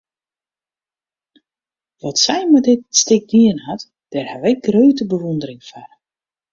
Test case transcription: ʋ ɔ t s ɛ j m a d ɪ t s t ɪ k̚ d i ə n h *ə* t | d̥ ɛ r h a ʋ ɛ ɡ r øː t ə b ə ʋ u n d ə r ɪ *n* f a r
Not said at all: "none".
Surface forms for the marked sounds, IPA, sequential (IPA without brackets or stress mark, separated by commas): a, ŋ